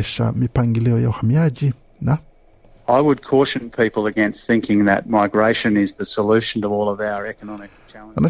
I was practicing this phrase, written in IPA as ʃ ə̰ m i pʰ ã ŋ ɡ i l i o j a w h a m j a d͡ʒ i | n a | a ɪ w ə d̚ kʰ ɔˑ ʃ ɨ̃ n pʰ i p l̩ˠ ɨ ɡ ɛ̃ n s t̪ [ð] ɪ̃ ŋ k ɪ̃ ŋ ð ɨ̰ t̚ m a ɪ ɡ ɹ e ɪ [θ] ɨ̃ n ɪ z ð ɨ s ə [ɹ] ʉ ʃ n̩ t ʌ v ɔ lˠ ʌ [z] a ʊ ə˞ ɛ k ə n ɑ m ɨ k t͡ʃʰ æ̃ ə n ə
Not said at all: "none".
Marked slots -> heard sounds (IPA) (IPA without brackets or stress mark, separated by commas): θ, ʃ, l, v